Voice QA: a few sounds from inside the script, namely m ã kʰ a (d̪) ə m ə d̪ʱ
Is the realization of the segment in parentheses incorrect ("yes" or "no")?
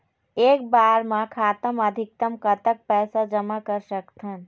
yes